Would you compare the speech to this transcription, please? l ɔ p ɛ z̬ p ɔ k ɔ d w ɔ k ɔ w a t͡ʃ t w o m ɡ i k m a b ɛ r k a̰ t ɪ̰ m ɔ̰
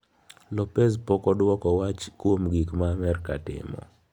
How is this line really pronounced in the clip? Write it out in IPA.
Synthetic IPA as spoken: l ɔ p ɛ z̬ p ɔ k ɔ d w ɔ k ɔ w a t͡ʃ k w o m ɡ i k m a m ɛ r k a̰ t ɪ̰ m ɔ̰